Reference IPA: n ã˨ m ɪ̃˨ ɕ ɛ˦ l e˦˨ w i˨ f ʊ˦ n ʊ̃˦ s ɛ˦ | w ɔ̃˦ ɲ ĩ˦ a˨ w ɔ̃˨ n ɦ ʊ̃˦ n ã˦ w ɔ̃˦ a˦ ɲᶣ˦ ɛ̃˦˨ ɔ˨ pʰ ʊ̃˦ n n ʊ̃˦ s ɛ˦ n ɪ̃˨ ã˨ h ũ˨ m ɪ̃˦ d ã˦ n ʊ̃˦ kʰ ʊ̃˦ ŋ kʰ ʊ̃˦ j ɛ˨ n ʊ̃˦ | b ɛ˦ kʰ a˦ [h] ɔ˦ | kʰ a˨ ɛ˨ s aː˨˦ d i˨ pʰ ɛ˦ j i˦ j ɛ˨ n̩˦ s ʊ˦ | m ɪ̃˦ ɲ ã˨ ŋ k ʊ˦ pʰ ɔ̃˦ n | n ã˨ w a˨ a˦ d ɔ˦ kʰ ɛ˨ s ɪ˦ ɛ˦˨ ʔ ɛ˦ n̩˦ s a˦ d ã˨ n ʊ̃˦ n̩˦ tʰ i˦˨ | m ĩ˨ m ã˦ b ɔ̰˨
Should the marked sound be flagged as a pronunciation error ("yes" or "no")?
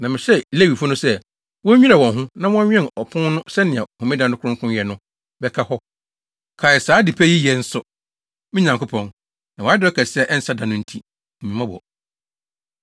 no